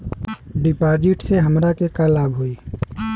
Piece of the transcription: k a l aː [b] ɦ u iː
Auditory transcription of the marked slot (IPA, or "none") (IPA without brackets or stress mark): b